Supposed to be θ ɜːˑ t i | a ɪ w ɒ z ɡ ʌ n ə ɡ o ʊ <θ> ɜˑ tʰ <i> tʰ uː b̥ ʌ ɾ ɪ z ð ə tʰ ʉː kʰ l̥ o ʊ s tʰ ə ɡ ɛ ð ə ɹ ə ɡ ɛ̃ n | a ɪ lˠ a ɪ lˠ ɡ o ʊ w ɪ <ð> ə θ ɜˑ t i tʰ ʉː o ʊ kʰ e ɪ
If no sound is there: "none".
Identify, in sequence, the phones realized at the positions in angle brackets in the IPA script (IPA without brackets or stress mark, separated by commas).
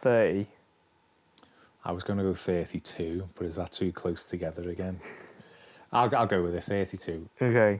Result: θ, i, ð